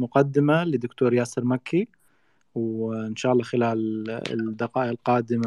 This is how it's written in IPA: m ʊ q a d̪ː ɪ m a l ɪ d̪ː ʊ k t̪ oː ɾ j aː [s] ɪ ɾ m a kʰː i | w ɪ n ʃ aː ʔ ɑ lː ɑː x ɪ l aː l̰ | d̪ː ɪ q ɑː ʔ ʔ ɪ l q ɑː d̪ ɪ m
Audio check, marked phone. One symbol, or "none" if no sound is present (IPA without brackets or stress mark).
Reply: s